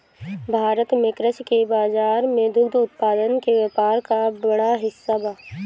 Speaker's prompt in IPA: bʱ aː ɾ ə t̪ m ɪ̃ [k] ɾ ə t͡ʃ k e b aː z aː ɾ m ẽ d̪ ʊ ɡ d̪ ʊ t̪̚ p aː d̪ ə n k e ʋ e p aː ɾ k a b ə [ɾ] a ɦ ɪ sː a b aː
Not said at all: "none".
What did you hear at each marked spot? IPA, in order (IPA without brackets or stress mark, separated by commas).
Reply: k, ɽ